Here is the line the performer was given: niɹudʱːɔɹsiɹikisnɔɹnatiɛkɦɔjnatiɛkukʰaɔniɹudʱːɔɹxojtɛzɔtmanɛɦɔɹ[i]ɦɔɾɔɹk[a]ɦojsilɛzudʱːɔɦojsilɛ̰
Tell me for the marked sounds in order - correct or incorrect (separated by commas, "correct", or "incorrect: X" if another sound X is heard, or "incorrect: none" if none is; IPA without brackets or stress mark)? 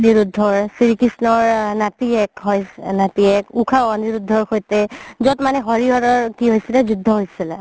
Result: correct, incorrect: i